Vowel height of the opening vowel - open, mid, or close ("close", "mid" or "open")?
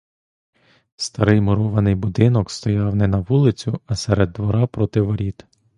open